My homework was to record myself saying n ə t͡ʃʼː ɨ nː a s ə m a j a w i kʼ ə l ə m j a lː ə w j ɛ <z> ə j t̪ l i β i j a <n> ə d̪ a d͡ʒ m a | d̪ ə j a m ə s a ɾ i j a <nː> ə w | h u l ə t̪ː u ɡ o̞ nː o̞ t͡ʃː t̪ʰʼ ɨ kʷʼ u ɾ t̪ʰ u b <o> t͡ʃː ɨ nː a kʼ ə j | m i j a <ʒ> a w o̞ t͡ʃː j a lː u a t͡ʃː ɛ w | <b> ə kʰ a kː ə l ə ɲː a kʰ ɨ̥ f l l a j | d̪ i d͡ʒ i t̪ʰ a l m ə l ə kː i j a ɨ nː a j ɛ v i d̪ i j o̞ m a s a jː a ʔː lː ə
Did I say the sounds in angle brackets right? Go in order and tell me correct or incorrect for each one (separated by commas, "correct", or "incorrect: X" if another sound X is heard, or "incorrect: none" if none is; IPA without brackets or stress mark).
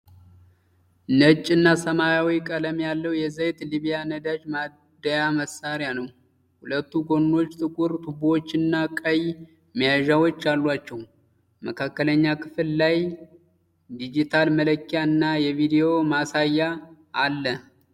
correct, correct, incorrect: n, correct, correct, incorrect: m